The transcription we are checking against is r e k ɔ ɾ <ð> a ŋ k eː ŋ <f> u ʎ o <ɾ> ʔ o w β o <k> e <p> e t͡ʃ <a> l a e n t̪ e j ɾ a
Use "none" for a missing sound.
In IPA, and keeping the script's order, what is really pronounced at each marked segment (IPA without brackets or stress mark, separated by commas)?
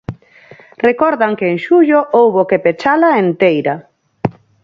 ð, ʃ, none, k, p, a